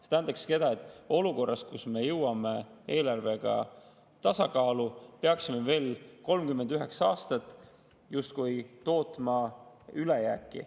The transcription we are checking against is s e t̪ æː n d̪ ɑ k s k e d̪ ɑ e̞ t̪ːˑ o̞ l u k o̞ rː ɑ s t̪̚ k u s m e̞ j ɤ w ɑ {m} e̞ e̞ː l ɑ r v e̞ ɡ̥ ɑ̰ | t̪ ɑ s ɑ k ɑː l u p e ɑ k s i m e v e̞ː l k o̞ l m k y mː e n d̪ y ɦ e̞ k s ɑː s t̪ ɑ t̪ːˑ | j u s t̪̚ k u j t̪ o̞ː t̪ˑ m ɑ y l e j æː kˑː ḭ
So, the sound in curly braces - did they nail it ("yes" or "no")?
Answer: yes